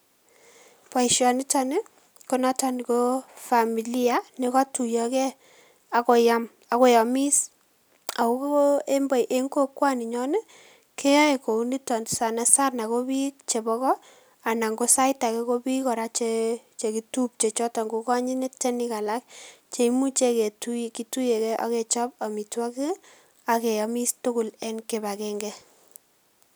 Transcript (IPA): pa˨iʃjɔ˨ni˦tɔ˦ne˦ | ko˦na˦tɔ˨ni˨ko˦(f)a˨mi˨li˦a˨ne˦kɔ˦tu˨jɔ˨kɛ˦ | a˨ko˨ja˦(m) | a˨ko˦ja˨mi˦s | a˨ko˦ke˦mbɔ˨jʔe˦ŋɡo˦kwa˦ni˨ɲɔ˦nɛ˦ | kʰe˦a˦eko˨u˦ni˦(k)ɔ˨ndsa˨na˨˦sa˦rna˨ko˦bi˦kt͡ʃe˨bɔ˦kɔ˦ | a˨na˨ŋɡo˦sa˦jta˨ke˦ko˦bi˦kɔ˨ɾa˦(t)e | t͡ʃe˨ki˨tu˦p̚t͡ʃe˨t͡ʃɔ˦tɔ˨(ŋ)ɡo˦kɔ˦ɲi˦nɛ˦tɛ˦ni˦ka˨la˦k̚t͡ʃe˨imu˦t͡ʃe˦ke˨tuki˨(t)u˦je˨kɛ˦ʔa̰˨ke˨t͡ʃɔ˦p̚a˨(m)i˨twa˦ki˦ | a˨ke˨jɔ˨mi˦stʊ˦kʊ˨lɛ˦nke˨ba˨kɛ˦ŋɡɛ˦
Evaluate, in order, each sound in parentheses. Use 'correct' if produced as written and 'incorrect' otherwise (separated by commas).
correct, correct, incorrect, incorrect, correct, correct, correct